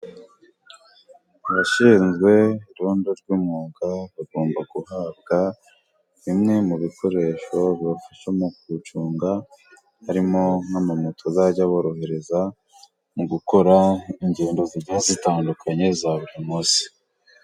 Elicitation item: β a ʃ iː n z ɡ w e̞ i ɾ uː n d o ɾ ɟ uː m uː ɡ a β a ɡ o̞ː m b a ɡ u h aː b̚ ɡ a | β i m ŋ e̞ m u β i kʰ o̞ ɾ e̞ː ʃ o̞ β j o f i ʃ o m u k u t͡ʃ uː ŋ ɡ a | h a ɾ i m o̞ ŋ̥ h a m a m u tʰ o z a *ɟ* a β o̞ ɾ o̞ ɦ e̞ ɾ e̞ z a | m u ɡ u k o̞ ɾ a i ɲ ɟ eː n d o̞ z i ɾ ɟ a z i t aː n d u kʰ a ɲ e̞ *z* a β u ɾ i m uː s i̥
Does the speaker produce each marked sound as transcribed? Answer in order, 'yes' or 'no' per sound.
yes, yes

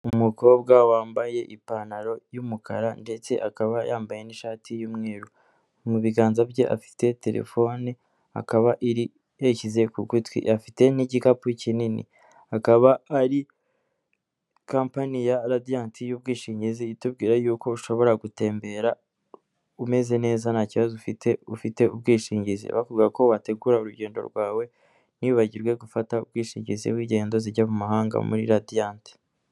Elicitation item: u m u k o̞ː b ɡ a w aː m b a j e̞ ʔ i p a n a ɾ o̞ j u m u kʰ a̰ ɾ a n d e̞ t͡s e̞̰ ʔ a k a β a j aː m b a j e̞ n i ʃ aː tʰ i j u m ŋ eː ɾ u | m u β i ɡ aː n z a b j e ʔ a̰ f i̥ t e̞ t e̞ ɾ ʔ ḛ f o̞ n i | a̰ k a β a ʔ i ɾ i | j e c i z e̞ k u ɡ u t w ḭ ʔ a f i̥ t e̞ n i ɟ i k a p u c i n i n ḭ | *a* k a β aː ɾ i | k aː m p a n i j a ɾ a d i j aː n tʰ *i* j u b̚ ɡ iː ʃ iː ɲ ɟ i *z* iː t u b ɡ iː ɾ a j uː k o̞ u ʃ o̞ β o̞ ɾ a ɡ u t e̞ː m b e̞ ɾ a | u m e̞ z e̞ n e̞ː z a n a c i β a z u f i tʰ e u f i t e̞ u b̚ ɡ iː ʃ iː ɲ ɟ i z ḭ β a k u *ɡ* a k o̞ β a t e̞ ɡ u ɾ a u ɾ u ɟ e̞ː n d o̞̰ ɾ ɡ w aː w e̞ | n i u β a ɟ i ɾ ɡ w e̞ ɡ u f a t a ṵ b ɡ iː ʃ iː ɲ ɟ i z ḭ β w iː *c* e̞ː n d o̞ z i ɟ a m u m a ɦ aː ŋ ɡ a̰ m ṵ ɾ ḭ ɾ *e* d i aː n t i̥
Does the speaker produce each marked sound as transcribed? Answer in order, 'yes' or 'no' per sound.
yes, yes, yes, yes, no, no

